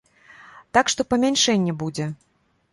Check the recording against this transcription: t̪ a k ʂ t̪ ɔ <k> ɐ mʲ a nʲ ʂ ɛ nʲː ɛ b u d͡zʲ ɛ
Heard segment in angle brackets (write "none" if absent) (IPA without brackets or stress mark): p